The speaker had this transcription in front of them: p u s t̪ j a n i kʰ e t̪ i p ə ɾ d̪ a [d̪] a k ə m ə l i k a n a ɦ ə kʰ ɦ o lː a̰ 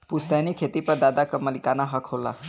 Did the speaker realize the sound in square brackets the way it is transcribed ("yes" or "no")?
yes